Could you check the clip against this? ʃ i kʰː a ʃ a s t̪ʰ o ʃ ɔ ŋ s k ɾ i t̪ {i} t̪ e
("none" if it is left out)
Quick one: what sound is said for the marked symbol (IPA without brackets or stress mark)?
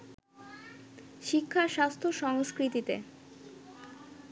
i